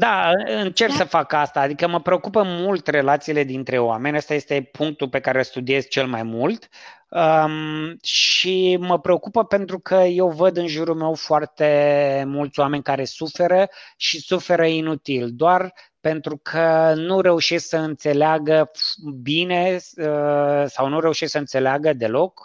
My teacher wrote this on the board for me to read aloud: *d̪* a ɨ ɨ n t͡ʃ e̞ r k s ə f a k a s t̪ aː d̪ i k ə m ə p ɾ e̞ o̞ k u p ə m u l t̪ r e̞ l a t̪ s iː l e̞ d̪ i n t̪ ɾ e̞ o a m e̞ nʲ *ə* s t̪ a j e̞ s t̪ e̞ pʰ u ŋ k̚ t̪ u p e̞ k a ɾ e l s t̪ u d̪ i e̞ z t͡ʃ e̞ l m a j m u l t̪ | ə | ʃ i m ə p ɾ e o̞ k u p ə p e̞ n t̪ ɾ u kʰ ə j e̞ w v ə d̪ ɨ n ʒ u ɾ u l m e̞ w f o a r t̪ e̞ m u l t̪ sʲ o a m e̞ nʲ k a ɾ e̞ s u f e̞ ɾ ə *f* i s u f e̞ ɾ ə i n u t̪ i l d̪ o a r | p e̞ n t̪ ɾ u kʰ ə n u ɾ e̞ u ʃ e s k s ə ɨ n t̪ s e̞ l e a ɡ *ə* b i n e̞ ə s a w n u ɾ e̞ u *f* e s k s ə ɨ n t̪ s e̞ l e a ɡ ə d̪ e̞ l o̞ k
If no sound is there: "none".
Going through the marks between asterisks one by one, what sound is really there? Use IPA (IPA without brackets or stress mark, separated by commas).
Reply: d̪, a, ʃ, ə, ʃ